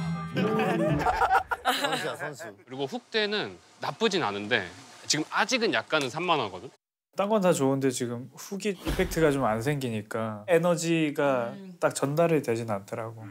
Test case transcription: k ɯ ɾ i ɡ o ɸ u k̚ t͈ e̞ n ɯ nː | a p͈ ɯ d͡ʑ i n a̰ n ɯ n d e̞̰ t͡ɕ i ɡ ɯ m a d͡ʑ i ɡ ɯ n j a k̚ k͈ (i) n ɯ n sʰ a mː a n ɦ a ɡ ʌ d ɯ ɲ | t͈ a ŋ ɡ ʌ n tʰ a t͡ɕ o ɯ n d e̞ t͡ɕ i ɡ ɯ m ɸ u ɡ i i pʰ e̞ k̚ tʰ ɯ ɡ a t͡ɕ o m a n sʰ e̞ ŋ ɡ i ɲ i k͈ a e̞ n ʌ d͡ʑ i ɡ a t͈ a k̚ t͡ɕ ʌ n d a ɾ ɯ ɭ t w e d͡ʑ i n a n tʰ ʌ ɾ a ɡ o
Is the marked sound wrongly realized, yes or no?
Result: yes